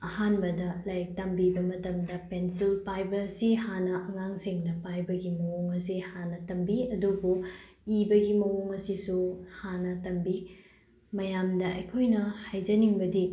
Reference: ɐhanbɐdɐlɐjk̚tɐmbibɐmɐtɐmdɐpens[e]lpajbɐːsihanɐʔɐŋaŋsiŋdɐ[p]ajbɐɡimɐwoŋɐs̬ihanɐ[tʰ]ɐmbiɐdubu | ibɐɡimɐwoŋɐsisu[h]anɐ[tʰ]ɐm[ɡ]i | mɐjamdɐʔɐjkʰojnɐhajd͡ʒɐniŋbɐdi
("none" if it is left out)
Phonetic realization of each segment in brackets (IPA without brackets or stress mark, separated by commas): i, p, t, h, t, b